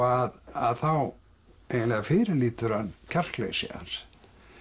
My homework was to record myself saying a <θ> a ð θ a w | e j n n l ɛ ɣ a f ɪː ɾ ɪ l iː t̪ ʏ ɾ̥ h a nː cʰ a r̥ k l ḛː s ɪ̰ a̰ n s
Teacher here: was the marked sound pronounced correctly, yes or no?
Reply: no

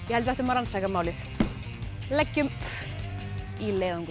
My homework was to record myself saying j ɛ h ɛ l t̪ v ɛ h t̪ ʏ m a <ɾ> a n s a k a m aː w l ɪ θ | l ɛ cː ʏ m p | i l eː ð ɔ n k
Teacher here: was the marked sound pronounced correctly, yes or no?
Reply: yes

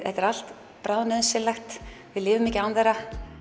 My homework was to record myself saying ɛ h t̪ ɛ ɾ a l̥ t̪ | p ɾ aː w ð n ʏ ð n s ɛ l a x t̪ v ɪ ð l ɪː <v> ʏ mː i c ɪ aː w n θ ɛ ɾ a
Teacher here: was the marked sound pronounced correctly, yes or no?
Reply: yes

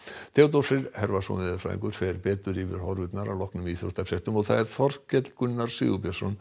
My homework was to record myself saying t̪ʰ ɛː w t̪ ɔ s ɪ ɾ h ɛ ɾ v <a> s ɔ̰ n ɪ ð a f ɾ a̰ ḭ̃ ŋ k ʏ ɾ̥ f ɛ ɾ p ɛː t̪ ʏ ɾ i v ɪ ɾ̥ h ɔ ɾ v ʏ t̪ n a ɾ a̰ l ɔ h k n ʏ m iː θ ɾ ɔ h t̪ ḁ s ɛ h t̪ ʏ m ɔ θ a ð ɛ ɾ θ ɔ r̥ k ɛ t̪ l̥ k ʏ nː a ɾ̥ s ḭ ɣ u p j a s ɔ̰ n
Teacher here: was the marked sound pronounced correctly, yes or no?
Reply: yes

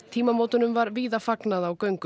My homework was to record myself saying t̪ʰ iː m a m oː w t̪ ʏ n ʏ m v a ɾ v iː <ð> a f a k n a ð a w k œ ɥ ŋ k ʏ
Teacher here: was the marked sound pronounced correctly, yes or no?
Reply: yes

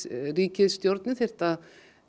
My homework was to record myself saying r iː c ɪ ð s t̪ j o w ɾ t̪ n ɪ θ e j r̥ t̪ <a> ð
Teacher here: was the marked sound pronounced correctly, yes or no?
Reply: yes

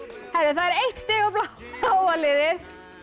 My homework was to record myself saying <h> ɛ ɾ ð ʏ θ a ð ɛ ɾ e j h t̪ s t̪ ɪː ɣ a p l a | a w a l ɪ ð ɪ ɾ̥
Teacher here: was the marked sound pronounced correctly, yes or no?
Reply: yes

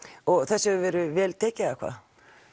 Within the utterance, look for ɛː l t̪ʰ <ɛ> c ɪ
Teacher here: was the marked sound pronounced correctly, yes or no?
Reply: no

